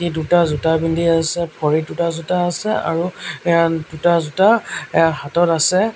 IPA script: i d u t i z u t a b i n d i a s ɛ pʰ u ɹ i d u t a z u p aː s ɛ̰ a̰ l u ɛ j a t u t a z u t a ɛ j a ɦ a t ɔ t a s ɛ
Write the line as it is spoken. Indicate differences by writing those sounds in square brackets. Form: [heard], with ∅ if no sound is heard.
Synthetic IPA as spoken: i d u t [a] z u t a b i n d i a s ɛ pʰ [ɔ] ɹ i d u t a z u [t] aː s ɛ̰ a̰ [ɹ] u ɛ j a [d] u t a z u t a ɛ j a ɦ a t ɔ t a s ɛ

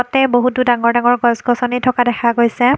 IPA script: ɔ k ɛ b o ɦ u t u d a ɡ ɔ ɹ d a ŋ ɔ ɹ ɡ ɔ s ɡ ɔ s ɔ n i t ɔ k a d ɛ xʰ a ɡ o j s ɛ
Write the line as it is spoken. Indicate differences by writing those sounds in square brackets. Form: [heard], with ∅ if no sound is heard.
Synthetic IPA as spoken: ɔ [t] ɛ b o ɦ u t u d a [ŋ] ɔ ɹ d a ŋ ɔ ɹ ɡ ɔ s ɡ ɔ s ɔ n i [tʰ] ɔ k a d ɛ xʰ a ɡ o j s ɛ

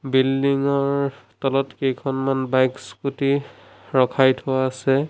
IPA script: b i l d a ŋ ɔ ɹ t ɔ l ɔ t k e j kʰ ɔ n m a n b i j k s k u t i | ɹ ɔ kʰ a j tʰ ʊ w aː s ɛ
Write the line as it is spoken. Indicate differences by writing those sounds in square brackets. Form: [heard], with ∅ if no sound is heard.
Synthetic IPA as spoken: b i l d [i] ŋ ɔ ɹ t ɔ l ɔ t k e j kʰ ɔ n m a n b [a] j k s k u t i | ɹ ɔ kʰ a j tʰ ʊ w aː s ɛ

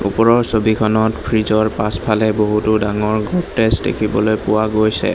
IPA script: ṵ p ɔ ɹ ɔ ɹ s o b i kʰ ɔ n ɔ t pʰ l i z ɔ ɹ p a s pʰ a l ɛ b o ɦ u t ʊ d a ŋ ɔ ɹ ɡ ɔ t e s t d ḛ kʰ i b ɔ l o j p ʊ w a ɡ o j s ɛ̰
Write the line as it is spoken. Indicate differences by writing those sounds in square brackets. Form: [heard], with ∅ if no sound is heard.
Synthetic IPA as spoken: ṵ p ɔ ɹ ɔ ɹ s o b i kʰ ɔ n ɔ t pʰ [ɹ] i z ɔ ɹ p a s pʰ a l ɛ b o ɦ u t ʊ d a ŋ ɔ ɹ ɡ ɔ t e s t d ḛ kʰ i b ɔ l o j p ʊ w a ɡ o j s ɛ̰

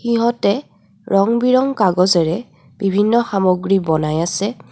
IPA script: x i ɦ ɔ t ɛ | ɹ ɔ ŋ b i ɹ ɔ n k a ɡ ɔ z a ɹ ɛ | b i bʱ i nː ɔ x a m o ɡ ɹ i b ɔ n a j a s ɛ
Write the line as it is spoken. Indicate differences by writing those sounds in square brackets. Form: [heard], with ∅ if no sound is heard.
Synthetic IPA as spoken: x i ɦ ɔ t ɛ | ɹ ɔ ŋ b i ɹ ɔ [ŋ] k a ɡ ɔ z [ɛ] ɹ ɛ | b i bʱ i nː ɔ x a m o ɡ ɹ i b ɔ n a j a s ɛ

